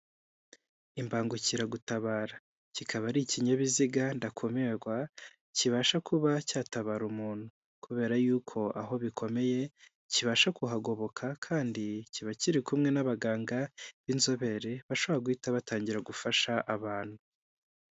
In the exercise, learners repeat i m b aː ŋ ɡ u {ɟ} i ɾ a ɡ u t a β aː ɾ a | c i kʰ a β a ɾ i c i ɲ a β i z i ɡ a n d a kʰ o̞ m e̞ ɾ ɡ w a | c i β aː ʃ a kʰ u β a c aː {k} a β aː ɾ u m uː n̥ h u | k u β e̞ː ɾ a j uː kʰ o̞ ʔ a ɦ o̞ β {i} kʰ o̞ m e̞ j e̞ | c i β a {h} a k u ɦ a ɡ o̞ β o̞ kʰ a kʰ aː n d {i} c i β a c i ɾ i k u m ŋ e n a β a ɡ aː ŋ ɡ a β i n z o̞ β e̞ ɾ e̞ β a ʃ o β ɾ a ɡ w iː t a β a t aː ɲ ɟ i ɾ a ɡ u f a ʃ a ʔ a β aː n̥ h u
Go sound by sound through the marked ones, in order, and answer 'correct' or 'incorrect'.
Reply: incorrect: c, incorrect: t, correct, incorrect: ʃ, correct

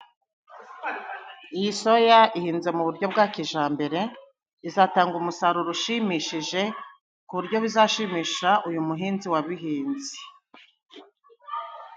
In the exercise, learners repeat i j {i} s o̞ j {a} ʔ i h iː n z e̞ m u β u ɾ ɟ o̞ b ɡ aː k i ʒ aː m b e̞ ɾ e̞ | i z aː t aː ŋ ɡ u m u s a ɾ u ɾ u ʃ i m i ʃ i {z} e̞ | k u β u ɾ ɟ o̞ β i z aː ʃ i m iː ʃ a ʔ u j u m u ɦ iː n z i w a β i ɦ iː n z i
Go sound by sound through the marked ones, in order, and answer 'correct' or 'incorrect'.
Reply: correct, correct, incorrect: ʒ

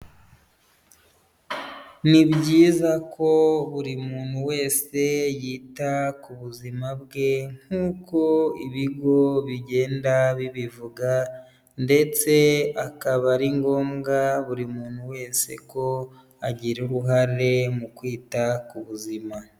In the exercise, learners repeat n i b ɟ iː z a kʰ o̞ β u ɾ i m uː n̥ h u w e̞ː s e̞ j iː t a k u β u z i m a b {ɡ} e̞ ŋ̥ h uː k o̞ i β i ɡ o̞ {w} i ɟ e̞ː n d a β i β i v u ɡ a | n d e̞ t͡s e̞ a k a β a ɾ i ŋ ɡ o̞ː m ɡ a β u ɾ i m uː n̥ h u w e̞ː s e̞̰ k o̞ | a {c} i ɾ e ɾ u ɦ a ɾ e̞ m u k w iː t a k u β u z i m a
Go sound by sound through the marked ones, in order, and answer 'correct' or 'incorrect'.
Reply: correct, incorrect: β, incorrect: ɟ

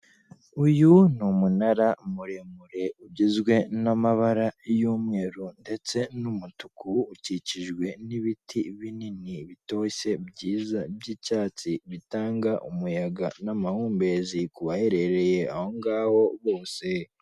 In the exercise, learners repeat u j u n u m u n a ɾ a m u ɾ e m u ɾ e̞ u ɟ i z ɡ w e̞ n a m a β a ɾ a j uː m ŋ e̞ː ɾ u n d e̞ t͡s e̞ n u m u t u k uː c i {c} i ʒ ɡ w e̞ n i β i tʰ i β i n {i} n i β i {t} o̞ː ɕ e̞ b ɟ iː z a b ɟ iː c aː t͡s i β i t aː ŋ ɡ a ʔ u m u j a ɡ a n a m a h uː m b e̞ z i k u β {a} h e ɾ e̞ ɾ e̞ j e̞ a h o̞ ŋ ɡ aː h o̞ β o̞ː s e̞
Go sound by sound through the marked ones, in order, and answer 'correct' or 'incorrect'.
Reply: correct, correct, correct, correct

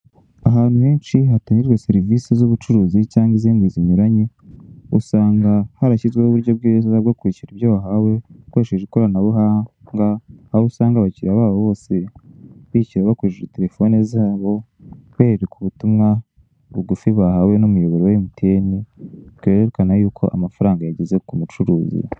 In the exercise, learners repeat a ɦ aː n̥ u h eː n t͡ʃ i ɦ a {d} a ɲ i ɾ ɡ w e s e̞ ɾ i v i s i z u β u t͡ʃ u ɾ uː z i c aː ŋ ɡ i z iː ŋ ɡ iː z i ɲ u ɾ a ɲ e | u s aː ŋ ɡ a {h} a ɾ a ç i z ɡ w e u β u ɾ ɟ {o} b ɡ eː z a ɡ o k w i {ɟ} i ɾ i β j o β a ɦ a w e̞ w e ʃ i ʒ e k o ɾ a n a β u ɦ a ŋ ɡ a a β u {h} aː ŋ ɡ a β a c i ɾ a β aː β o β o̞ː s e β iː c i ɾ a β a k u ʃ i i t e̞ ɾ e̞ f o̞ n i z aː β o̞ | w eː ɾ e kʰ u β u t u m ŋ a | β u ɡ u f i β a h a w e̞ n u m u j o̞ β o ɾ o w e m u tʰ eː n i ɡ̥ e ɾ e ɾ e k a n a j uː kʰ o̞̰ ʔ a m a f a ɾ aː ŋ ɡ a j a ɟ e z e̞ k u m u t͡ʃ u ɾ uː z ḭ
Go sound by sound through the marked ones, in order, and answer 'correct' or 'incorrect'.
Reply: incorrect: t, correct, correct, incorrect: c, incorrect: s

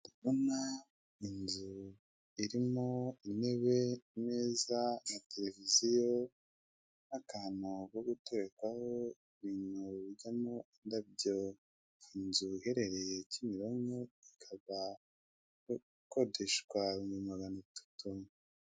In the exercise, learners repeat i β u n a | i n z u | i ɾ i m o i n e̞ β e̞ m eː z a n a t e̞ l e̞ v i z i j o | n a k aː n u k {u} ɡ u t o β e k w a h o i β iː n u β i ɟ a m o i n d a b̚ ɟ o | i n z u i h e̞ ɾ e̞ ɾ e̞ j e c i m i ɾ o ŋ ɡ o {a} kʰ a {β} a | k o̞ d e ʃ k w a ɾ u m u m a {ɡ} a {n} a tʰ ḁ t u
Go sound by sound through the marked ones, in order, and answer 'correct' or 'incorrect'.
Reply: incorrect: o, incorrect: i, correct, correct, correct

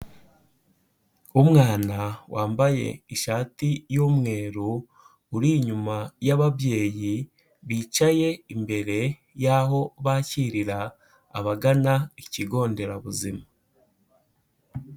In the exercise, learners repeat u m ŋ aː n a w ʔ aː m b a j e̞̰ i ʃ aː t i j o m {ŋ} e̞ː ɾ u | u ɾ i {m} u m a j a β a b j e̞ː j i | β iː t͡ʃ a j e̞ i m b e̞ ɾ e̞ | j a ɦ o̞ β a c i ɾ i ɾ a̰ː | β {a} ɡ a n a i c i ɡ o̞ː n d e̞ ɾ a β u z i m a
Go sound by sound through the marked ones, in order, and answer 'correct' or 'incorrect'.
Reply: correct, incorrect: ɲ, correct

